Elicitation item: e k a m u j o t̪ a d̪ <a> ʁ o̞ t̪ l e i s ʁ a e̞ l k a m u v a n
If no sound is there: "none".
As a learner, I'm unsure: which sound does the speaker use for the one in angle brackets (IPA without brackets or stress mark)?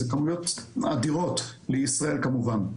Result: i